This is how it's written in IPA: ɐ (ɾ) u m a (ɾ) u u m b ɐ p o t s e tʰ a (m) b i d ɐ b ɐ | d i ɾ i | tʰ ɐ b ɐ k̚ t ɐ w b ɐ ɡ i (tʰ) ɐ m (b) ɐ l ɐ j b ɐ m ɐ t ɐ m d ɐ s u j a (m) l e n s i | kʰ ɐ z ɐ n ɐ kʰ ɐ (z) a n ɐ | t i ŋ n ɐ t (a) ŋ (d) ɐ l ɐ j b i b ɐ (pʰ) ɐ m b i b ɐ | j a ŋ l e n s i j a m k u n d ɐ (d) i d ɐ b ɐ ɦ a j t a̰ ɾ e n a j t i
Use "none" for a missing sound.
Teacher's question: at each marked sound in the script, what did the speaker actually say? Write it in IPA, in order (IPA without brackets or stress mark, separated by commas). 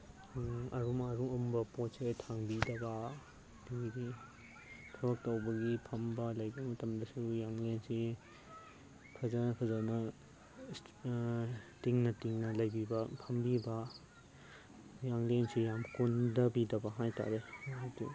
ɾ, ɾ, ŋ, pʰ, b, ŋ, z, i, n, pʰ, b